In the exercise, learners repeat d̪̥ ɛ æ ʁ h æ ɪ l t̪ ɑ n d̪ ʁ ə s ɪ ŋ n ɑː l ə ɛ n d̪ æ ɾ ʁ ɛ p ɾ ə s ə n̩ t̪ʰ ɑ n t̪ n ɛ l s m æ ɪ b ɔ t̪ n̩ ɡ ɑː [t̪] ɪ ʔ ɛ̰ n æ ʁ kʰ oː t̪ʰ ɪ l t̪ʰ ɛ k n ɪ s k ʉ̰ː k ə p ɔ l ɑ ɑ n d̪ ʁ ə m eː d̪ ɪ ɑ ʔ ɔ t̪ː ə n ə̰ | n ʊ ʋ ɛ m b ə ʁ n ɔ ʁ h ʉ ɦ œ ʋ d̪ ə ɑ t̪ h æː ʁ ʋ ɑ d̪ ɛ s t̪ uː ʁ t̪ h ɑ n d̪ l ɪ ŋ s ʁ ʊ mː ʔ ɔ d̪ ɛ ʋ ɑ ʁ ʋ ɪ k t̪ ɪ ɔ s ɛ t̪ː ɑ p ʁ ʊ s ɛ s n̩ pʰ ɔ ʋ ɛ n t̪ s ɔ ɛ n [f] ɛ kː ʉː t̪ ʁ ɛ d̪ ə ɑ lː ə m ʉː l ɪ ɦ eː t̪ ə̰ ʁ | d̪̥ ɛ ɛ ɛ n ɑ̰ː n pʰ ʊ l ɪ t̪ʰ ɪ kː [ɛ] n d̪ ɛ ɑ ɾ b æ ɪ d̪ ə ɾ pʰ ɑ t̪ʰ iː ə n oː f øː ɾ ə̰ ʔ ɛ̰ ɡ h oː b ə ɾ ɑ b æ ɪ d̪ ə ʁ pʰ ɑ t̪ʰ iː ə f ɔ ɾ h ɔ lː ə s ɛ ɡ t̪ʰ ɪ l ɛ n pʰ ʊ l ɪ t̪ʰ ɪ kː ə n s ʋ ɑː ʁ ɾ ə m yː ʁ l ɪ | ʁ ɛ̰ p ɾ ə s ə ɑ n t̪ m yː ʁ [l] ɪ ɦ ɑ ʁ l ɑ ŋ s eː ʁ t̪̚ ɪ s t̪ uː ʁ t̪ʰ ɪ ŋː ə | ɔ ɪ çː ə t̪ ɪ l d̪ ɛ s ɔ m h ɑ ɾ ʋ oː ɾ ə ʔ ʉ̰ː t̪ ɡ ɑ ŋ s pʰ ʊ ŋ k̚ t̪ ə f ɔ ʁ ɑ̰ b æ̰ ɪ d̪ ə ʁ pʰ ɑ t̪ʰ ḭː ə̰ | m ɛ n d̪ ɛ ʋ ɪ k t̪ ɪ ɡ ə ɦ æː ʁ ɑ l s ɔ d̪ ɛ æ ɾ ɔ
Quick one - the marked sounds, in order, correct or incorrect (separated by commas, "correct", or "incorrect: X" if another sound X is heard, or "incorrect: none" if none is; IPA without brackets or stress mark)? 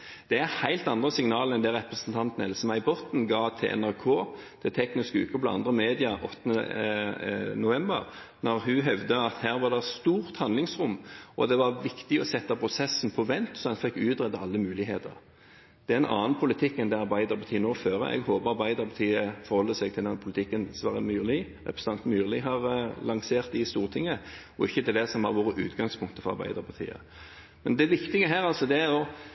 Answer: incorrect: t̪ʰ, correct, correct, correct